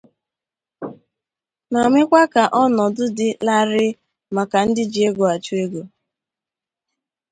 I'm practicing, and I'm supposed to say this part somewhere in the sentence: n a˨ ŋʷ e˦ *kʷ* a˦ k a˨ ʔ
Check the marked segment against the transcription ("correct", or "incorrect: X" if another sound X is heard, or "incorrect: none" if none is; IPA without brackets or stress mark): correct